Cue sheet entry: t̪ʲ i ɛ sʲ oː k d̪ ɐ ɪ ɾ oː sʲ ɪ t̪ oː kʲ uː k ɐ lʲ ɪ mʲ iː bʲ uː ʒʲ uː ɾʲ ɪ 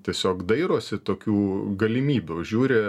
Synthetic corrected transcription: t̪ʲ i ɛ sʲ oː k d̪ ɐ ɪ ɾ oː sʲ ɪ t̪ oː kʲ uː ɡ ɐ lʲ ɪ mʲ iː bʲ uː ʒʲ uː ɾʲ ɪ